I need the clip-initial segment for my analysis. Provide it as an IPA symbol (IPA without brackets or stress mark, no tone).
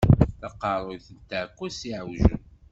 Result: θ